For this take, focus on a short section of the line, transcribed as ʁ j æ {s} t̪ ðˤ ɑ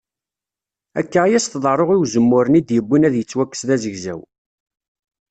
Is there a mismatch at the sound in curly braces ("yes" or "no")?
no